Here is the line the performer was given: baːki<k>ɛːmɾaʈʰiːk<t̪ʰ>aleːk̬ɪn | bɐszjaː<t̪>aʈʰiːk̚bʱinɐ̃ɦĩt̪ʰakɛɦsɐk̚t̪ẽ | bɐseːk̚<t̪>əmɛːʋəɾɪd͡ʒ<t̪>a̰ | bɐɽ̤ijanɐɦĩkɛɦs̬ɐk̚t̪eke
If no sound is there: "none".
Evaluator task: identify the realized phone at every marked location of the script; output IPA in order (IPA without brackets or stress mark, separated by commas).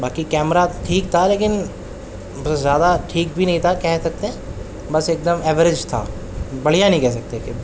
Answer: k, t̪ʰ, d̪, d̪, t̪ʰ